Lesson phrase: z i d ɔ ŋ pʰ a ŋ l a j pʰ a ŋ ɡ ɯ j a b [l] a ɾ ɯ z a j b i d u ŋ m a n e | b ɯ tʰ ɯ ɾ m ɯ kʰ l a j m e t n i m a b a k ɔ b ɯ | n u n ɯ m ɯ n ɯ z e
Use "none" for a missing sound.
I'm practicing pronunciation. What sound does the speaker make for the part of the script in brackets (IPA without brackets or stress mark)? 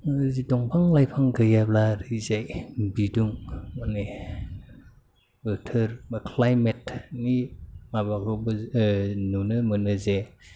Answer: l